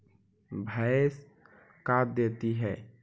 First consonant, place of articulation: labial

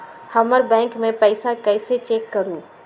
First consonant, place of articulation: glottal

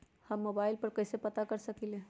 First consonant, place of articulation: glottal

